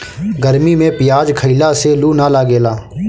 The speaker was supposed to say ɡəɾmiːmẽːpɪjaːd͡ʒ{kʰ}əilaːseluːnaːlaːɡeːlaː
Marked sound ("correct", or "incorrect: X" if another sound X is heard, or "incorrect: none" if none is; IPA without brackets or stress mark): correct